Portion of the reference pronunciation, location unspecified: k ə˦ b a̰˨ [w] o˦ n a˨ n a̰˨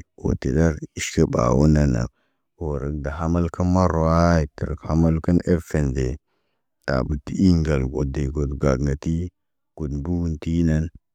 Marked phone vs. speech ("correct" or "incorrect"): correct